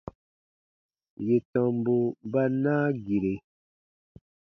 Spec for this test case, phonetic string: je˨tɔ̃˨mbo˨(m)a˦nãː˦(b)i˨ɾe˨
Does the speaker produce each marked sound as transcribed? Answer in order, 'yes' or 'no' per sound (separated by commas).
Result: no, no